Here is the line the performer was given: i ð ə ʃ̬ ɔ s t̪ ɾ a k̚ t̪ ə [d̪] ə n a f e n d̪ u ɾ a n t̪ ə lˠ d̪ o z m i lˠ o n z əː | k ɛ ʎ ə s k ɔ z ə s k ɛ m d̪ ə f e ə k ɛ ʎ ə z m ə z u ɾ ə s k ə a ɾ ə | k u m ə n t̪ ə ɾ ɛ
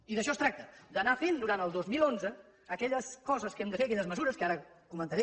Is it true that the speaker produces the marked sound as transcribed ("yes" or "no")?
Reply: yes